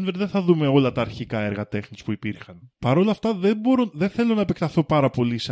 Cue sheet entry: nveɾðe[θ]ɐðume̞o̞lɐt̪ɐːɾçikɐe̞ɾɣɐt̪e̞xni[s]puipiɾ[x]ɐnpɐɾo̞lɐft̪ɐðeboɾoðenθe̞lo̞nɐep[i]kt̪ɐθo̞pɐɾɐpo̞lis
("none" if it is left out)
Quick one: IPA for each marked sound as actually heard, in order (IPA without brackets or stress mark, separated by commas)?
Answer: θ, s, x, e